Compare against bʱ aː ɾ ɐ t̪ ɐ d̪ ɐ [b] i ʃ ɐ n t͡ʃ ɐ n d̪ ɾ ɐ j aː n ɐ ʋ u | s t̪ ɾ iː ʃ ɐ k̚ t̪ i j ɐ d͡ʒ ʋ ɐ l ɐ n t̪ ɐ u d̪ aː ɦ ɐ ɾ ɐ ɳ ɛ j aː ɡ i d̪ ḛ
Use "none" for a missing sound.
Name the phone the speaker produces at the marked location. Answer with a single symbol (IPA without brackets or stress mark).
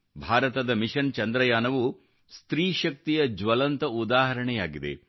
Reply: m